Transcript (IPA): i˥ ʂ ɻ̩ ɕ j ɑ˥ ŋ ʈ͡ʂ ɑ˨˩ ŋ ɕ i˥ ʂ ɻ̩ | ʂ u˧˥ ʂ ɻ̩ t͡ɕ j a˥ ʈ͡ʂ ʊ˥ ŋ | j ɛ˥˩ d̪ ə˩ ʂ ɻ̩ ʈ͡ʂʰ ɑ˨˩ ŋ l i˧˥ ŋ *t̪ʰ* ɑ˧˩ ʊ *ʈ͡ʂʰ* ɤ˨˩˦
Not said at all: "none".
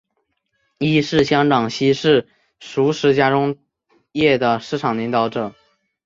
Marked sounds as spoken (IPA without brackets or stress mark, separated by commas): t̪, ʈ͡ʂ